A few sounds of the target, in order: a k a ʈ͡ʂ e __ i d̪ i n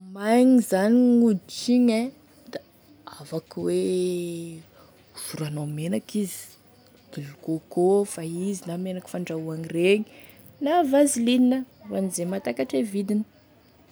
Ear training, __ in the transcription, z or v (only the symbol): v